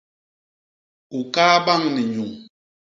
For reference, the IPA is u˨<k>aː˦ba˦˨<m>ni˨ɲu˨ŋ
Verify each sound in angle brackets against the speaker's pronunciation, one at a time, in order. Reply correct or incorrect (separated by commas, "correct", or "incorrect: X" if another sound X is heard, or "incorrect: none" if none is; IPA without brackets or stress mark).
correct, incorrect: ŋ